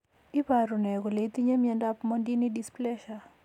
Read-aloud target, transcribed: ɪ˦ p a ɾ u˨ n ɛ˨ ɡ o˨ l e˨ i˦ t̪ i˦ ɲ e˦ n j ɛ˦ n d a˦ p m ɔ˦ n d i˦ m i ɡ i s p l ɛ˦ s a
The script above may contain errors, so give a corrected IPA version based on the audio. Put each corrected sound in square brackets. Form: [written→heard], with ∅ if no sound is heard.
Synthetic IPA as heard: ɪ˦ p a ɾ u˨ n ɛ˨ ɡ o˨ l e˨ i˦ t̪ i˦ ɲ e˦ [n→m] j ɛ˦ n d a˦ p m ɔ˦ n d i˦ [m→n] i [ɡ→d] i s p l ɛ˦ [s→ʃ] a